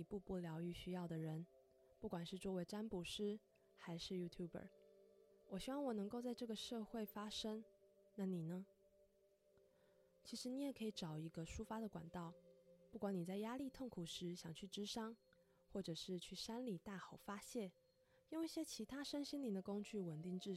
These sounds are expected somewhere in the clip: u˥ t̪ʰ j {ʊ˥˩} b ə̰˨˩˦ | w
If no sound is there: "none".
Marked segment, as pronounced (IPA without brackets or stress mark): u˥˩